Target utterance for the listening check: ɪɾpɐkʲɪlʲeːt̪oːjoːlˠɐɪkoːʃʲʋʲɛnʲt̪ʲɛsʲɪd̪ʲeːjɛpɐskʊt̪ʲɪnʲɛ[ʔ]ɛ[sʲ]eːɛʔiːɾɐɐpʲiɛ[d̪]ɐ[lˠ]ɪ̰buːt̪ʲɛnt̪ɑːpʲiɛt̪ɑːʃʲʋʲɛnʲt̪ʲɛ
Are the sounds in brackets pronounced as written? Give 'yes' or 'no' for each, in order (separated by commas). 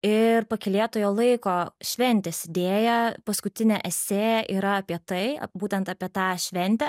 yes, yes, no, no